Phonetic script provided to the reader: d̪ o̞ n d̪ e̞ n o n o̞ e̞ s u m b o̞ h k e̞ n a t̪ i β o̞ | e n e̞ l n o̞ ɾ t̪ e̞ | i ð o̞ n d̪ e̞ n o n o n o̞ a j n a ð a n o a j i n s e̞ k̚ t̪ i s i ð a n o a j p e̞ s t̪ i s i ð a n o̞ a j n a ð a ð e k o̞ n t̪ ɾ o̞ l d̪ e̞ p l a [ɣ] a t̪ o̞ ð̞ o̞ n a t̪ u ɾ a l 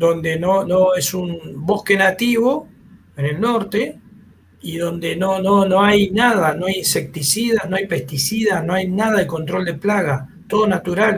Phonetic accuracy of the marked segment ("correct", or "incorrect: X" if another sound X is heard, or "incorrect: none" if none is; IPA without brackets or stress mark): correct